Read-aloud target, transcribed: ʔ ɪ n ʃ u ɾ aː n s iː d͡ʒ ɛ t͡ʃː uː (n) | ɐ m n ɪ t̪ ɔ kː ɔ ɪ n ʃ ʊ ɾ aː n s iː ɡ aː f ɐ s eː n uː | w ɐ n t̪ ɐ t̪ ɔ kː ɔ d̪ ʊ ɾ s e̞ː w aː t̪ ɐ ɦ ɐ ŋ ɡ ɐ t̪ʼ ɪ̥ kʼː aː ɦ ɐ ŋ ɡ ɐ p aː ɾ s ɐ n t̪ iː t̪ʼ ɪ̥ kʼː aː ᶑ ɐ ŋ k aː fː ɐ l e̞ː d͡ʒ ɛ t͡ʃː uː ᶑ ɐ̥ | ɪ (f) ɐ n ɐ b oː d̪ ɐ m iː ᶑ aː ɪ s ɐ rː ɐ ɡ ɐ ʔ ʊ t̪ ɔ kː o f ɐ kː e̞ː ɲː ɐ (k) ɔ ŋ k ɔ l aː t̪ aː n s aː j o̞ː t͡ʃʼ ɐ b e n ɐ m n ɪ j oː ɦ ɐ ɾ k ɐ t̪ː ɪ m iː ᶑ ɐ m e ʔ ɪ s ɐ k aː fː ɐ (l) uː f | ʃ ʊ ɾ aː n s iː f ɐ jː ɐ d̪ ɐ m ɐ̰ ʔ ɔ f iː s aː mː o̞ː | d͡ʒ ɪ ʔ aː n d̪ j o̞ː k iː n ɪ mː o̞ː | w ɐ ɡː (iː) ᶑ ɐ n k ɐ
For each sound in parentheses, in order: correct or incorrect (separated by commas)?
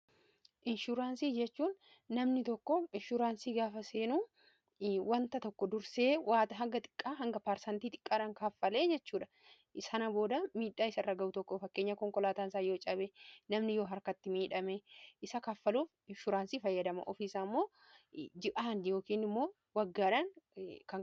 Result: incorrect, incorrect, correct, correct, incorrect